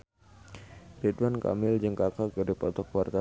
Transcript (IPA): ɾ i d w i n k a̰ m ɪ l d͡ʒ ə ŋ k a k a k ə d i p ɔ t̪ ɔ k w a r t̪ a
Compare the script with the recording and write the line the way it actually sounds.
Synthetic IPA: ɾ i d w a n k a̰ m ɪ l d͡ʒ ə ŋ k a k a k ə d i p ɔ t̪ ɔ k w a r t̪ a